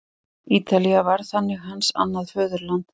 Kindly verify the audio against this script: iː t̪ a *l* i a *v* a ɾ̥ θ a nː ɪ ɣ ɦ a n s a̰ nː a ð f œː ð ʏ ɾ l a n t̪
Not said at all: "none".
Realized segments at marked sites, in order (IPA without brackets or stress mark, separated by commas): l, v